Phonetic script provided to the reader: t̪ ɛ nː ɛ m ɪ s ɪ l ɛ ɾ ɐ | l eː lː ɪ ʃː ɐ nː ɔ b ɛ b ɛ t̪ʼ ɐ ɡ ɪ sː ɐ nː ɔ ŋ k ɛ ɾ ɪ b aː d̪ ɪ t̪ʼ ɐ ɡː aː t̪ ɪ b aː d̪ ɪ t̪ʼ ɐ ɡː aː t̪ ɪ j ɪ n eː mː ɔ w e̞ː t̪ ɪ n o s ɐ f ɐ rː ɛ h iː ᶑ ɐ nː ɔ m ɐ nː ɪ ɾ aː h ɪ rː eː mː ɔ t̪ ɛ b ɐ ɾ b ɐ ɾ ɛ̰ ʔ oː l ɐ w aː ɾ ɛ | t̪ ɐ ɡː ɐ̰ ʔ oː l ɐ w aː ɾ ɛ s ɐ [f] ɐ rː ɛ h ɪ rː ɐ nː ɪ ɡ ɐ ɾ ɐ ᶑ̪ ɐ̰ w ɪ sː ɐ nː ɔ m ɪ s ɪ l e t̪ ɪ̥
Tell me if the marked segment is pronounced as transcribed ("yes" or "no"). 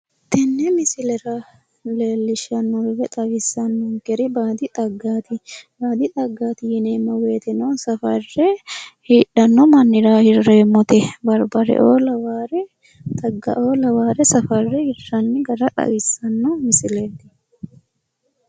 yes